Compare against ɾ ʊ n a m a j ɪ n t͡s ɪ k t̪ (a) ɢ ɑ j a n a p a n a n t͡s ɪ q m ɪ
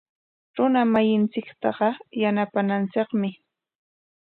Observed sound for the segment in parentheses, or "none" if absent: ɑ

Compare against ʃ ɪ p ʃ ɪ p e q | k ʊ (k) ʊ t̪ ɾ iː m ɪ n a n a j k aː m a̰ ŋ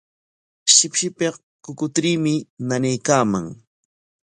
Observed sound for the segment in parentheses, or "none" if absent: k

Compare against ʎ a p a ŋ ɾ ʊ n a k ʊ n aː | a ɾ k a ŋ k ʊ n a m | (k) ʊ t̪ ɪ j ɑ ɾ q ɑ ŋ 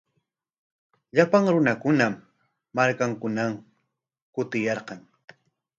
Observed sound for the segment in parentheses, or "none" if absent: k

